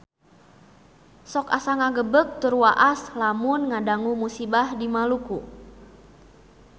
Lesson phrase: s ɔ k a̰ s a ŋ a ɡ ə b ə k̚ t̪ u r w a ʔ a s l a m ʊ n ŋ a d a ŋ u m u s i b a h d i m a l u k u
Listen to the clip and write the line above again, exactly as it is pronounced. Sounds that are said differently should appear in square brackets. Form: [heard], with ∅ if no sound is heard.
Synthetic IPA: s ɔ k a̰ s a ŋ a ɡ ə b ə k̚ t̪ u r w a ʔ a s l a m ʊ n ŋ a d a ŋ u m u s i b a h d i m a l u k u